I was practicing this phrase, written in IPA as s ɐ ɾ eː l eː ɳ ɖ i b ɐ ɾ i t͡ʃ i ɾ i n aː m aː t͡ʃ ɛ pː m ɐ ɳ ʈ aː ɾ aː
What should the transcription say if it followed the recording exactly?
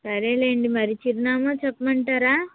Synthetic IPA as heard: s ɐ ɾ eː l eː ɳ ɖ i m ɐ ɾ i t͡ʃ i ɾ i n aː m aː t͡ʃ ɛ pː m ɐ ɳ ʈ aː ɾ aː

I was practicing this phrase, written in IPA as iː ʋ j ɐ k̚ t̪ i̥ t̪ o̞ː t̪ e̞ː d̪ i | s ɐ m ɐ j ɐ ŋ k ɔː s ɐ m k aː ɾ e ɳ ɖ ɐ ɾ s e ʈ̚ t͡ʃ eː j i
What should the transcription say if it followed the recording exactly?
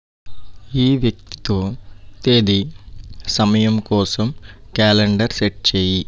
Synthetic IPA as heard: iː ʋ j ɐ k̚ t̪ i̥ t̪ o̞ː t̪ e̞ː d̪ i | s ɐ m ɐ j ɐ m k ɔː s ɐ m k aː l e ɳ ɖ ɐ ɾ s e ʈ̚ t͡ʃ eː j i

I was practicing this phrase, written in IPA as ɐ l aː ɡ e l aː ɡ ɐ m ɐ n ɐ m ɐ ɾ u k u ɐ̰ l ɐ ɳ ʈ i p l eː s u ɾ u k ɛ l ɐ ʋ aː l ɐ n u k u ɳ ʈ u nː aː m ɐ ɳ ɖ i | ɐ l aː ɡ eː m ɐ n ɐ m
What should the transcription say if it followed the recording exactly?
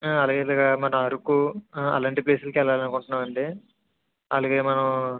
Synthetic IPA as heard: ɐ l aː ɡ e l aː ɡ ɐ m ɐ n ɐ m ɐ ɾ u k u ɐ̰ l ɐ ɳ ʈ i p l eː s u l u k ɛ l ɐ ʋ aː l ɐ n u k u ɳ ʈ u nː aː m ɐ ɳ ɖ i | ɐ l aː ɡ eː m ɐ n ɐ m

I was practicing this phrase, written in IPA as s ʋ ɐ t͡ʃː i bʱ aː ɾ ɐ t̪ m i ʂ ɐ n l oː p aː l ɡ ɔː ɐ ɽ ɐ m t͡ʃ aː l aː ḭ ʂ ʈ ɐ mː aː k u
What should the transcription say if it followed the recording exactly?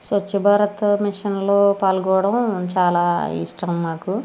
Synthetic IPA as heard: s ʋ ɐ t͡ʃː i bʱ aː ɾ ɐ t̪ m i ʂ ɐ n l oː p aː l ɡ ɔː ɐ ɽ ɐ m t͡ʃ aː l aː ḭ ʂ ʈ ɐ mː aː k u

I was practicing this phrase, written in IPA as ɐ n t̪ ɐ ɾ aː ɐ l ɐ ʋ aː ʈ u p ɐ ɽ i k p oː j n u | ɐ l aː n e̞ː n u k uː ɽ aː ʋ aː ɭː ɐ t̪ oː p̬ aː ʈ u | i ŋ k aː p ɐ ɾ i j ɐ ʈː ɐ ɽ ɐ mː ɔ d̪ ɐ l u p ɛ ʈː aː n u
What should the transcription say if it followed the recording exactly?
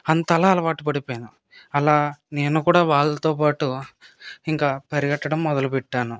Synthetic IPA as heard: ɐ n t̪ ɐ l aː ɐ l ɐ ʋ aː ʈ u p ɐ ɽ i p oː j n u | ɐ l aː n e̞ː n u k uː ɽ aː ʋ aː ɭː ɐ t̪ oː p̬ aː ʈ u | i ŋ k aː p ɐ ɾ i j ɐ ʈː ɐ ɽ ɐ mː ɔ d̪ ɐ l u p ɛ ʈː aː n u

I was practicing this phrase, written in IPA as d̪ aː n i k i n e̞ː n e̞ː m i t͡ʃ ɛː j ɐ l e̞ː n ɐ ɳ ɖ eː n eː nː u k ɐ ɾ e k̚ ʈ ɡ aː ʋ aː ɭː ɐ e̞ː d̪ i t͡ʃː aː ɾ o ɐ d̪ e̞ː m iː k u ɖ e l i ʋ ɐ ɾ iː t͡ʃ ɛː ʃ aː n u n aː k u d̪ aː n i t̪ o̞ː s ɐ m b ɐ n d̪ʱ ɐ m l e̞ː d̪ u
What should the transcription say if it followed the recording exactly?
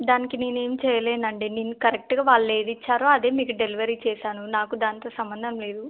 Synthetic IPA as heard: d̪ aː n i k i n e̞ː n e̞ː m i t͡ʃ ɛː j ɐ l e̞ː n ɐ ɳ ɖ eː n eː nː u k ɐ ɾ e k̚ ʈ ɡ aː ʋ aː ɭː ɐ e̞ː d̪ i t͡ʃː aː ɾ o ɐ d̪ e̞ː m iː k u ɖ e l i ʋ ɐ ɾ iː t͡ʃ ɛː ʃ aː n u n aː k u d̪ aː n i t̪ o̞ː s ɐ m b ɐ n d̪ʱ ɐ m l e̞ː d̪ u

